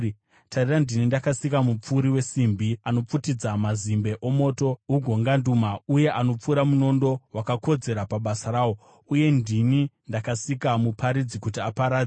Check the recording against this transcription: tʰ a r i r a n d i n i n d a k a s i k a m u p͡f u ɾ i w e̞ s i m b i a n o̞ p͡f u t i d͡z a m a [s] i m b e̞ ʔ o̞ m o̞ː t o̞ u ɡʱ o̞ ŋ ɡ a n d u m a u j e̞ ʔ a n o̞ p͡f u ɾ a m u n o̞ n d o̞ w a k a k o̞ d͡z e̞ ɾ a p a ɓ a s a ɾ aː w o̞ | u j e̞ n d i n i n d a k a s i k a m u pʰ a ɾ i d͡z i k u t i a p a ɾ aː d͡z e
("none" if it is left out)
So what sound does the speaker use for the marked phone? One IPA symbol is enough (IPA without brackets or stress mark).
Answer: z